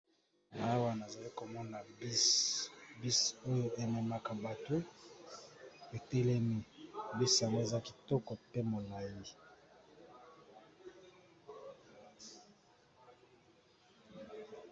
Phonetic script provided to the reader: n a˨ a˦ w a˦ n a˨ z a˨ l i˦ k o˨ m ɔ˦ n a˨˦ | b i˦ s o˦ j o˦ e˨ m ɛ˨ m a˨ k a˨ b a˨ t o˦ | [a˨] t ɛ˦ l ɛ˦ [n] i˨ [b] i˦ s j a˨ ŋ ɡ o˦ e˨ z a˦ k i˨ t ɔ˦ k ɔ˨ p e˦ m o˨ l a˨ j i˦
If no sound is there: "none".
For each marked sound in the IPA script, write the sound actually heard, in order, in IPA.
e˨, m, b

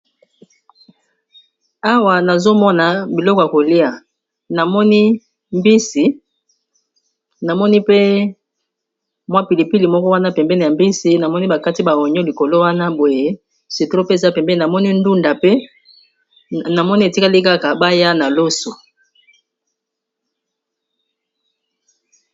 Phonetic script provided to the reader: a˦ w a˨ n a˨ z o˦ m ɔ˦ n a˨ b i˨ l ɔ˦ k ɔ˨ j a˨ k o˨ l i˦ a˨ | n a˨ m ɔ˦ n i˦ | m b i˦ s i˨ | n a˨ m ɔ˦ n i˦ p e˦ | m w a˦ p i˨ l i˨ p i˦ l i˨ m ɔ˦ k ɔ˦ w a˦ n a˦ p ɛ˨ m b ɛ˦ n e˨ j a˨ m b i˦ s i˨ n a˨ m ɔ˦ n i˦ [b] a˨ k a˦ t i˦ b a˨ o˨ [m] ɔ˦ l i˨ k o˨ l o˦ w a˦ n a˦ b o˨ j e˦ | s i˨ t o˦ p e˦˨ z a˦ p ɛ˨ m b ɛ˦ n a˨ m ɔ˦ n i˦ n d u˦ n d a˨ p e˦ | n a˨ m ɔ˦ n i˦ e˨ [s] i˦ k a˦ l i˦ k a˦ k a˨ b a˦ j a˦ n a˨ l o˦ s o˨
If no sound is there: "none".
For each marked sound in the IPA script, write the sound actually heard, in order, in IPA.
b, ɲ, t

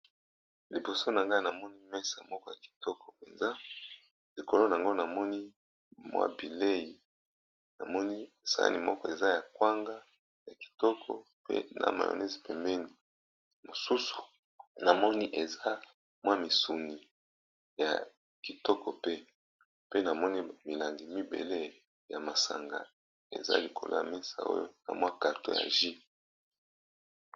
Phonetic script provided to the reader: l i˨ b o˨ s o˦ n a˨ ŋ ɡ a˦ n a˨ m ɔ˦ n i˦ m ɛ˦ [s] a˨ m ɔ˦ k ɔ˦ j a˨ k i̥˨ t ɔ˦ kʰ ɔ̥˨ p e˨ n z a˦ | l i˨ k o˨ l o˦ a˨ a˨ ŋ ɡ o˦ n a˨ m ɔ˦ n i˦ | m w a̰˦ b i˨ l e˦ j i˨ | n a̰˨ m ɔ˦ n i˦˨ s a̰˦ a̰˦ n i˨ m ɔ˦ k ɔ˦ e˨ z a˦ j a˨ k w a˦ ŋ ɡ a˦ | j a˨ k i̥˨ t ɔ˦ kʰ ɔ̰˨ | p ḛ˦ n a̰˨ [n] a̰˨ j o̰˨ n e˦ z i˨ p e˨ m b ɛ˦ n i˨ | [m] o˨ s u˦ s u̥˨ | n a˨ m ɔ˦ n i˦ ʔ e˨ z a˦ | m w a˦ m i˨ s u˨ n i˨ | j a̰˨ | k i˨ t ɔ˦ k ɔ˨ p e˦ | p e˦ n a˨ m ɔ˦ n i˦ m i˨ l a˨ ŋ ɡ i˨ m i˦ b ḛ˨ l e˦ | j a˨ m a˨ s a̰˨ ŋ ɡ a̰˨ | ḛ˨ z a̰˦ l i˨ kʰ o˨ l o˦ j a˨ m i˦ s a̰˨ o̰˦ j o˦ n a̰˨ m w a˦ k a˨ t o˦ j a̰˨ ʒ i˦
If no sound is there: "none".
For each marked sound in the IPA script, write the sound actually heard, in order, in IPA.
s, m, m

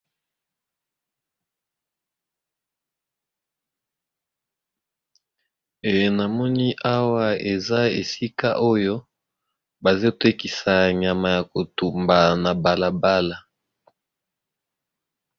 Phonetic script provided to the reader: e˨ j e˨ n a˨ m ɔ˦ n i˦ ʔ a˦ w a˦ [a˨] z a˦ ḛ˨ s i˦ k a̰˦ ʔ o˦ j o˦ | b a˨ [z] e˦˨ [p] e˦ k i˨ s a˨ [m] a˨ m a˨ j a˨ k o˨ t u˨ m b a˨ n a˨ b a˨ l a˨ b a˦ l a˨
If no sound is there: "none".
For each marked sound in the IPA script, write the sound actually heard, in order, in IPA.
e˨, z, t, ɲ

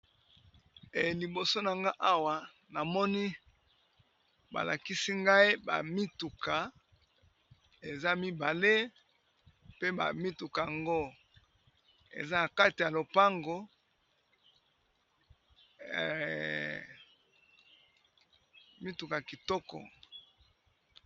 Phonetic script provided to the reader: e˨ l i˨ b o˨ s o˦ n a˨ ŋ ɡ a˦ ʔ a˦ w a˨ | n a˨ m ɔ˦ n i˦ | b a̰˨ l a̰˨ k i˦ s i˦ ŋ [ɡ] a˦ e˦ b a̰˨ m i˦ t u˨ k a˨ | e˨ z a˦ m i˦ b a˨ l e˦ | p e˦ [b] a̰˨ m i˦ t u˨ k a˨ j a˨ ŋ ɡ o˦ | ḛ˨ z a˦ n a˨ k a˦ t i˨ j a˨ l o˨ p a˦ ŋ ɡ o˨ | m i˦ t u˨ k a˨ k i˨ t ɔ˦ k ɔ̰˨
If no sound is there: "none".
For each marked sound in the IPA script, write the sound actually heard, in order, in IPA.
ɡ, b

